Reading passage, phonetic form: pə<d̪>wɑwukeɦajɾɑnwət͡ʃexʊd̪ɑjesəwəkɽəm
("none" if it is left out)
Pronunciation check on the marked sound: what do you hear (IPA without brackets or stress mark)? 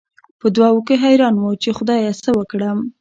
d̪